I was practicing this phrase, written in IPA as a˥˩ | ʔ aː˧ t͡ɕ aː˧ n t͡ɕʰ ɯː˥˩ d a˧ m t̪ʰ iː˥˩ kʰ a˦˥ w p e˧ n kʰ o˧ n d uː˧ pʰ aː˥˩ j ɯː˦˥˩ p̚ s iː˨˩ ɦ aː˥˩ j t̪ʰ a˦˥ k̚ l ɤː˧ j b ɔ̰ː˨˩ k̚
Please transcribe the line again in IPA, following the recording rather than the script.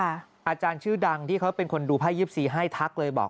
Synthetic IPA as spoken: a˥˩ | ʔ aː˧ t͡ɕ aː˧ n t͡ɕʰ ɯː˥˩ d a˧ ŋ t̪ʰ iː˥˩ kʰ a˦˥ w p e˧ n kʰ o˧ n d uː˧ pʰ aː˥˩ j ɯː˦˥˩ p̚ s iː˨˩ ɦ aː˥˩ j t̪ʰ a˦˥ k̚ l ɤː˧ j b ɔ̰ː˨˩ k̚